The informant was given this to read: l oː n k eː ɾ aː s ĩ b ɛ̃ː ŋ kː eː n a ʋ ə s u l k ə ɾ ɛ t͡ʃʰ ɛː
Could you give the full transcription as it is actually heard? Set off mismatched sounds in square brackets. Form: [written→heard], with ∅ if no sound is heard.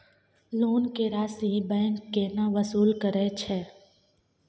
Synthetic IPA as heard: l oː n k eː ɾ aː s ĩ b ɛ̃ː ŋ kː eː n a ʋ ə s [u→uː] l k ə ɾ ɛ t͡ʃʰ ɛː